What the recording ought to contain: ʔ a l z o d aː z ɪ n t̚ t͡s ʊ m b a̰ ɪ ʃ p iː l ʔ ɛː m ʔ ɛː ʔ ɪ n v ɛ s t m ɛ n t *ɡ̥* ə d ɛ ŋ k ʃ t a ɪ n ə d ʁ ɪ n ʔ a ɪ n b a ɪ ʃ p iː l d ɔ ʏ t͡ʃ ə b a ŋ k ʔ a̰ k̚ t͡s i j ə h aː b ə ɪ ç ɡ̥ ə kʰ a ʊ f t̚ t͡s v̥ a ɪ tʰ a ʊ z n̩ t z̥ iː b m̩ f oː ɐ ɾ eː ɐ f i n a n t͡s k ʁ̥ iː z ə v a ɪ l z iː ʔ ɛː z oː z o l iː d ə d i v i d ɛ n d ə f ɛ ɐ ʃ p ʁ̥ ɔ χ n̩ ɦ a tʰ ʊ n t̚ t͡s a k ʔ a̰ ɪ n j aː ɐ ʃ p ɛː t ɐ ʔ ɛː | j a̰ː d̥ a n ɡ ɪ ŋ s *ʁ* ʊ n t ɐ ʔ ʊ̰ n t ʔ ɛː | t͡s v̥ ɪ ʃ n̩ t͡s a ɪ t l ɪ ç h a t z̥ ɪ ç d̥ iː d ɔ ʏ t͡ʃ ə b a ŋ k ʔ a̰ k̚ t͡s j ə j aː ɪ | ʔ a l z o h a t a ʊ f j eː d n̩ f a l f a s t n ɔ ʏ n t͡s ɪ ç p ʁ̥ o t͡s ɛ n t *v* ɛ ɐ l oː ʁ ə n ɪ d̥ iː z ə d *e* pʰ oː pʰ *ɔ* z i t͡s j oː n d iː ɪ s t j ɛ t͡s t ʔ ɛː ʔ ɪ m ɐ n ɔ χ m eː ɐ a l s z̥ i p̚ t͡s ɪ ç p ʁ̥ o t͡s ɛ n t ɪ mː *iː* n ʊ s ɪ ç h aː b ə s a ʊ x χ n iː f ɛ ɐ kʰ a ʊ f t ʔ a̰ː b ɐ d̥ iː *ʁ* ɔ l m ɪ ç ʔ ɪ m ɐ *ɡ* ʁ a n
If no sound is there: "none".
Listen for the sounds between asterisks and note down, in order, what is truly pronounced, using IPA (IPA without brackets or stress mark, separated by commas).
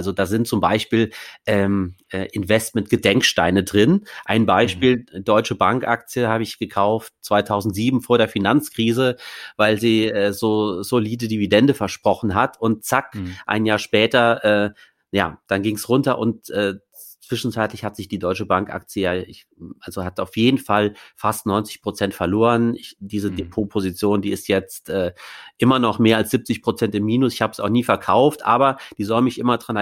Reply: ɡ̥, ʁ, f, e, o, iː, z, d